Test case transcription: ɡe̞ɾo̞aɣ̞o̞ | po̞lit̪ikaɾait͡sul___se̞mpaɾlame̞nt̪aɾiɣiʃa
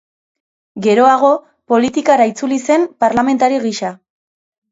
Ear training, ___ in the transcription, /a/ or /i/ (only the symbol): i